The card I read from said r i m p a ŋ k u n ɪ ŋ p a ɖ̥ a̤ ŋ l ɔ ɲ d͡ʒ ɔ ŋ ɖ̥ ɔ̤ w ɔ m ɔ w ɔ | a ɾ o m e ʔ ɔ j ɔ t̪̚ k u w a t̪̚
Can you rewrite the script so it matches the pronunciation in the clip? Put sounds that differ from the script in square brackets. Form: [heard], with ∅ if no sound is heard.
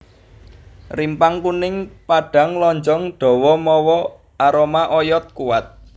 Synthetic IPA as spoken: r i m p a ŋ k u n ɪ ŋ p a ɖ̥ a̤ ŋ l ɔ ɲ d͡ʒ ɔ ŋ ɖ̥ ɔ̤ w ɔ m ɔ w ɔ | a ɾ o m [a] ʔ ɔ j ɔ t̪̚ k u w a t̪̚